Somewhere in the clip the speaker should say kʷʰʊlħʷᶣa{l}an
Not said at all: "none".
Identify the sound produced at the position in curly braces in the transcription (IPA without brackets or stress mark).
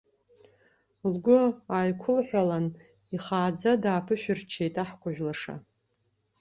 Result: l